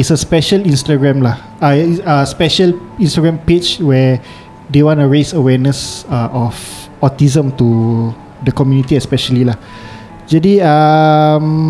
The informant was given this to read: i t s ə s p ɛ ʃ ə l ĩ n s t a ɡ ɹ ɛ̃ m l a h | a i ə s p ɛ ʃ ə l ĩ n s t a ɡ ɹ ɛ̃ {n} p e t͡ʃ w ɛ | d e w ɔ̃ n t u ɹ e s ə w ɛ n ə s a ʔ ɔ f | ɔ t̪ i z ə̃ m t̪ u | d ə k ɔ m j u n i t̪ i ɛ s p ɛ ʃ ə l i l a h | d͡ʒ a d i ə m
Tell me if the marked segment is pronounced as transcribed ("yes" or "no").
no